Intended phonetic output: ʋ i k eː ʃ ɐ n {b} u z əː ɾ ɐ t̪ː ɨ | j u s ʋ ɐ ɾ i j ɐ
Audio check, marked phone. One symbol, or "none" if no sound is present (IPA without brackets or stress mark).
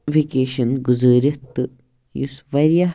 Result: ɡ